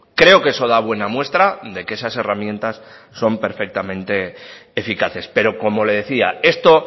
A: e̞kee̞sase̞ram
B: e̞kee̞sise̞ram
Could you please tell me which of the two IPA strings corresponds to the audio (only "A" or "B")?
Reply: A